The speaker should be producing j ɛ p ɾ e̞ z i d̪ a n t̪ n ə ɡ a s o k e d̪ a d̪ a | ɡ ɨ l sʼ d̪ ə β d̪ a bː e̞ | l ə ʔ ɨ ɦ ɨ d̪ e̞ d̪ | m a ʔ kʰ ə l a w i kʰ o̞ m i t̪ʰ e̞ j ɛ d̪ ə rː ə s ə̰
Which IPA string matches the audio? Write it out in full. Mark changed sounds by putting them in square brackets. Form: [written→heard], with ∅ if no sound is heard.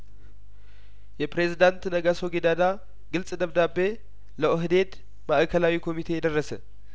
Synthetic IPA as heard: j ɛ p ɾ e̞ z i d̪ a n t̪ n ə ɡ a s o [k→ɡ] e d̪ a d̪ a | ɡ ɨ l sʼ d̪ ə β d̪ a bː e̞ | l ə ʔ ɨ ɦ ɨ d̪ e̞ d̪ | m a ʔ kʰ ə l a w i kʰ o̞ m i t̪ʰ e̞ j ɛ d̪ ə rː ə s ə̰